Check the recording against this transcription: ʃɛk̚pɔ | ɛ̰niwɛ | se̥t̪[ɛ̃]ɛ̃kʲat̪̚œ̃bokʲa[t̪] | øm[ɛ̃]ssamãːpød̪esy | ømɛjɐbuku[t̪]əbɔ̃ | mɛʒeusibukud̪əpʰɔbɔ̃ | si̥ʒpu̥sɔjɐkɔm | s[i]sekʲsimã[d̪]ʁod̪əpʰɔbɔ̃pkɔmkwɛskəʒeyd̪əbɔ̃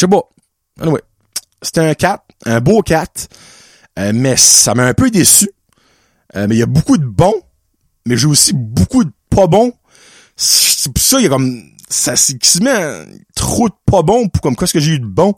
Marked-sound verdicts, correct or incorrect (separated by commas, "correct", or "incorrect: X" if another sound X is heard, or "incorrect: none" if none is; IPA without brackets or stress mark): incorrect: ɛ, correct, incorrect: ɛ, incorrect: d̪, incorrect: a, incorrect: t̪